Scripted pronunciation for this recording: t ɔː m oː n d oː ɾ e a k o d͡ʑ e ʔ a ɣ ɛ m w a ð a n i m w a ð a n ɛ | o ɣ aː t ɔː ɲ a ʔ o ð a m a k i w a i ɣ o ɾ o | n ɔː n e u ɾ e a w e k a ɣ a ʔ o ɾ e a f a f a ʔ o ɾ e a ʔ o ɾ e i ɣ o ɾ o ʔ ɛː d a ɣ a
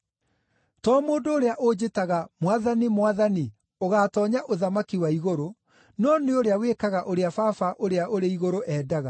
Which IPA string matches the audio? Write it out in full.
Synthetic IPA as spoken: t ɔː m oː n d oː ɾ e a ʔ o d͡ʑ e t a ɣ a m w a ð a n i m w a ð a n i | o ɣ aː t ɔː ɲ a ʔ o ð a m a k i w a i ɣ o ɾ o | n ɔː n e o ɾ e a w e k a ɣ a ʔ o ɾ e a f a f a ʔ o ɾ e a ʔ o ɾ e i ɣ o ɾ o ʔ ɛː d a ɣ a